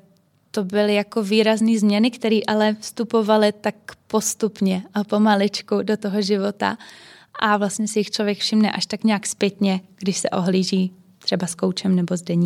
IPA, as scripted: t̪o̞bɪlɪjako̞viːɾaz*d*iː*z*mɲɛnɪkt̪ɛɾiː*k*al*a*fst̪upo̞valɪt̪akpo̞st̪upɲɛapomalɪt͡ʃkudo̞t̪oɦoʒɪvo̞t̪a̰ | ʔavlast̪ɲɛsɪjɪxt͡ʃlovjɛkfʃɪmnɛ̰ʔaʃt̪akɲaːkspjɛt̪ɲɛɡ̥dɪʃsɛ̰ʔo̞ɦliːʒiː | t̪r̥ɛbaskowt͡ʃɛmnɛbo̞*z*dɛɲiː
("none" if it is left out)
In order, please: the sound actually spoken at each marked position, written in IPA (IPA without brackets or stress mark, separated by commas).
n, z, ʔ, ɛ, z